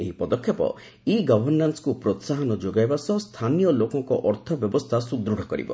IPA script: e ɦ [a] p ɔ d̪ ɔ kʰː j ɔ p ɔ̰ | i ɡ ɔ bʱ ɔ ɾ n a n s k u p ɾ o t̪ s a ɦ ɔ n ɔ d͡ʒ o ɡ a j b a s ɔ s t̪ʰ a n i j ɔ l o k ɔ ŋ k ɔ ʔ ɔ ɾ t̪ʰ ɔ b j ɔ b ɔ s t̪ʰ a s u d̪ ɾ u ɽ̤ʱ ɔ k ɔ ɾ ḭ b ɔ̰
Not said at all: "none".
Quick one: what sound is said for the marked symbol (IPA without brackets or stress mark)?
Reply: i